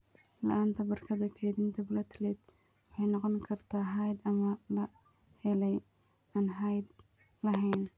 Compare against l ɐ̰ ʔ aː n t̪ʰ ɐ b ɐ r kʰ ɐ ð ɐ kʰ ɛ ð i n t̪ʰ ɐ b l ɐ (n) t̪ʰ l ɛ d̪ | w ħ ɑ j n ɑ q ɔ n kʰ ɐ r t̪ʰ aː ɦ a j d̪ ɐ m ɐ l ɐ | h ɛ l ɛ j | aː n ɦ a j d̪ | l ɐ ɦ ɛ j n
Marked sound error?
yes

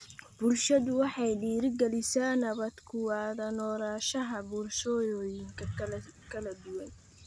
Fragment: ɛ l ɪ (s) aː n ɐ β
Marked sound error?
no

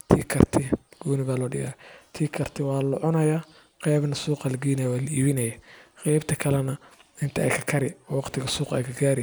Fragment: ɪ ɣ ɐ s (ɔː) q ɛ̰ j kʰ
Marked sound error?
yes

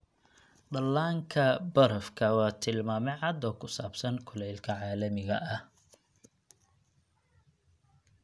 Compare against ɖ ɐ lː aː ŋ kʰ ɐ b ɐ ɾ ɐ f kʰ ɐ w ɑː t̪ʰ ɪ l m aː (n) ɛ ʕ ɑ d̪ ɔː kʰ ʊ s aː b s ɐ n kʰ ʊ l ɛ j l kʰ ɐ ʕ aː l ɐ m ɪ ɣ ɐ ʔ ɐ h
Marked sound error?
yes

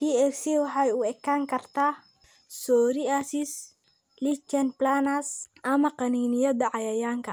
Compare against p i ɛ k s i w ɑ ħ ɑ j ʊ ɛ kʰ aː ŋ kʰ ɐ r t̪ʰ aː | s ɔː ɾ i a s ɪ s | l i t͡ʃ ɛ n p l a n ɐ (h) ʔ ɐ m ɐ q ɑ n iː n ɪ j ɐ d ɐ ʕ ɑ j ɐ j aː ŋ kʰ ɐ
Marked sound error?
yes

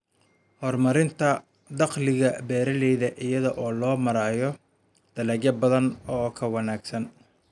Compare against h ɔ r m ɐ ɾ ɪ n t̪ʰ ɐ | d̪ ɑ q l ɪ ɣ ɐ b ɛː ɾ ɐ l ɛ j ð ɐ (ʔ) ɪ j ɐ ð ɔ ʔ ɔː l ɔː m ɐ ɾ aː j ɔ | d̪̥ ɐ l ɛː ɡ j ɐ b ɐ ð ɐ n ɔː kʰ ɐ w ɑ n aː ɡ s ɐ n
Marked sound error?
no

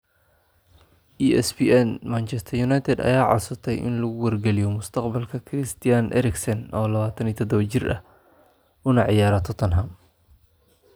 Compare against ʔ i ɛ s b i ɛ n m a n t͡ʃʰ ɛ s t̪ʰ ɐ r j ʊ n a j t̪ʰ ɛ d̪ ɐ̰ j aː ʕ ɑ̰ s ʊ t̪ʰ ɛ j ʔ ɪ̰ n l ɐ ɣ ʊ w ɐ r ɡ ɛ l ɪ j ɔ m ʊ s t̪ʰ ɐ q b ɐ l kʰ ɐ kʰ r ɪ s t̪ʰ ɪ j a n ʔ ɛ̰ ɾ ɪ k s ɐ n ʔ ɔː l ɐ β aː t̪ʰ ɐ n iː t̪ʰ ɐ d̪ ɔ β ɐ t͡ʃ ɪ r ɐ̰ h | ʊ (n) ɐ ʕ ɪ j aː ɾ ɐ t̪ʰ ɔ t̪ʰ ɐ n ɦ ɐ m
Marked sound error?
no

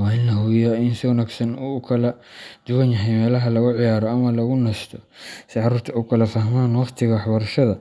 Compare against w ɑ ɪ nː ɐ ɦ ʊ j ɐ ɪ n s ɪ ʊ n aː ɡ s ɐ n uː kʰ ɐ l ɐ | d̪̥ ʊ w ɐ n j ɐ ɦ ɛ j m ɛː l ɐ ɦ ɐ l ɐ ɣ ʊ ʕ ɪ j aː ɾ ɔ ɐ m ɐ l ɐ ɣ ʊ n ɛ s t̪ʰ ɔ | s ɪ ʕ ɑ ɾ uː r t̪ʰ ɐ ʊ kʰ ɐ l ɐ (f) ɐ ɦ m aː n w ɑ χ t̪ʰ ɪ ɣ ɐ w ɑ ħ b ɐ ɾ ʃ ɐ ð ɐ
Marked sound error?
no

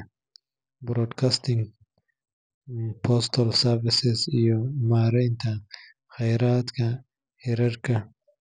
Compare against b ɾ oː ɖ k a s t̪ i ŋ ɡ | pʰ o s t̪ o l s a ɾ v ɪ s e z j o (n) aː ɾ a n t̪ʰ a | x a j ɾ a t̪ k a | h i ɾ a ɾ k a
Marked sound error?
yes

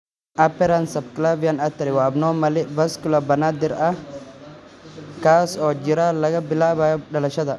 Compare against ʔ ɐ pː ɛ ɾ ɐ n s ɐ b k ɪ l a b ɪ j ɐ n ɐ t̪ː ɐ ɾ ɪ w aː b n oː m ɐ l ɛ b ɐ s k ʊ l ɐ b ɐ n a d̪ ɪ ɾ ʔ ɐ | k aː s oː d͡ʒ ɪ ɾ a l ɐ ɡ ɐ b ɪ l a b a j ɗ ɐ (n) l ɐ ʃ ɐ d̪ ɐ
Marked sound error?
yes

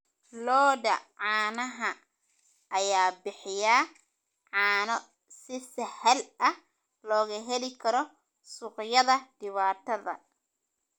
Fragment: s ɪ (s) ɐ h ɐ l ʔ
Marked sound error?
no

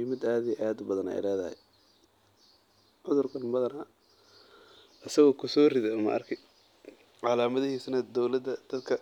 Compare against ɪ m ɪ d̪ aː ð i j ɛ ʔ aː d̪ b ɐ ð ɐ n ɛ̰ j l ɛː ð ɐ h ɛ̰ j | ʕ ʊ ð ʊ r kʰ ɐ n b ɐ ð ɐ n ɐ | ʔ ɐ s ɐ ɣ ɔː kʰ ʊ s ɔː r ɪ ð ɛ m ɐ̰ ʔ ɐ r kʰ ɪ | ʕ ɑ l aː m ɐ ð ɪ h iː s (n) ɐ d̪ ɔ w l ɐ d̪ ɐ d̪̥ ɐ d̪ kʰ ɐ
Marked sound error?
no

